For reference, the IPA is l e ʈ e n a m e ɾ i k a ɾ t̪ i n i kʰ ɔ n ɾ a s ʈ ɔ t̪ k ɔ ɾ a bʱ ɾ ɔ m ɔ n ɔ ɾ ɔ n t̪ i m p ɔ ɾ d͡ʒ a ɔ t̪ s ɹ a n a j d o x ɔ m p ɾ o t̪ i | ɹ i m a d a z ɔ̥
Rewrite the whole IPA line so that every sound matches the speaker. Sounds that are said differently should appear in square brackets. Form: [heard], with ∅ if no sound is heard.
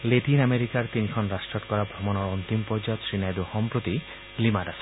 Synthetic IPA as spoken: l e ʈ [i] n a m e ɾ i k a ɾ t̪ i n i kʰ ɔ n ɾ a s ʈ ɔ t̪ k ɔ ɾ a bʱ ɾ ɔ m ɔ n ɔ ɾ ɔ n t̪ i m p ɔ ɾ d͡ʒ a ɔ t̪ s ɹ [i] n a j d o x ɔ m p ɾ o t̪ i | [l] i m a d a [s] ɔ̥